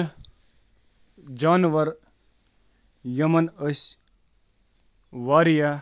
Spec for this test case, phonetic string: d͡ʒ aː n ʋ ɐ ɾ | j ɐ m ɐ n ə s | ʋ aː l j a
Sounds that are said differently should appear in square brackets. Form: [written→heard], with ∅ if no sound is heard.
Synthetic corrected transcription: d͡ʒ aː n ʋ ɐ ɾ | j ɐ m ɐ n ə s | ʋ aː [l→ɾ] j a